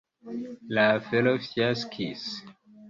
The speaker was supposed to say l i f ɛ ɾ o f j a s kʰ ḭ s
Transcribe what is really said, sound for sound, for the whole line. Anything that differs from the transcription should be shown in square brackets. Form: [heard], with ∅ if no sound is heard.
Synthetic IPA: l [a] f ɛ [l] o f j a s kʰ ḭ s